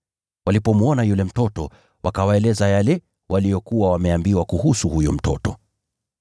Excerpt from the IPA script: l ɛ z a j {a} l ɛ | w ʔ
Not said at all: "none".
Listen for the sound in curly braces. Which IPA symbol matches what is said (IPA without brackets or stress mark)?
a